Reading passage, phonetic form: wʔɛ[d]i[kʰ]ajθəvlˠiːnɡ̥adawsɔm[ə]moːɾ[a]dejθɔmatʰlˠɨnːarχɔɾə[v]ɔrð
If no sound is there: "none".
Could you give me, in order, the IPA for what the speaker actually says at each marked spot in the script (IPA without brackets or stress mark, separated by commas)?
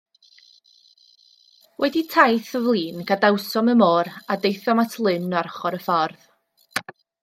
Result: d, tʰ, ə, a, f